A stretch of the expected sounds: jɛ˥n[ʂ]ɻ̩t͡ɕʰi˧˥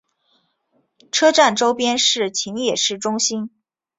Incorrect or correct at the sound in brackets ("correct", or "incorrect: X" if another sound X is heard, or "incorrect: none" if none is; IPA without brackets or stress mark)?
correct